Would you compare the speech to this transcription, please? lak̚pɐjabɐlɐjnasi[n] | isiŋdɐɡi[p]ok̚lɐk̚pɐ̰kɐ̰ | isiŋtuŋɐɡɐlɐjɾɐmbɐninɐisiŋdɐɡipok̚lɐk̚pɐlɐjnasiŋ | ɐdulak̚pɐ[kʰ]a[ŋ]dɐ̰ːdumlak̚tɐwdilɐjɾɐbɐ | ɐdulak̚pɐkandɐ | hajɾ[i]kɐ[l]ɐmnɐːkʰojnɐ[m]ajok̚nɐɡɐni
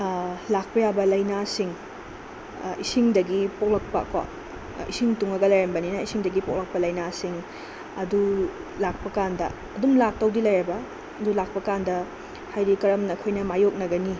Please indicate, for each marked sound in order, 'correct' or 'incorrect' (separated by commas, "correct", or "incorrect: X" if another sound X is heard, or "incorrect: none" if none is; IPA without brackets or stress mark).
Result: incorrect: ŋ, correct, incorrect: k, incorrect: n, correct, incorrect: ɾ, correct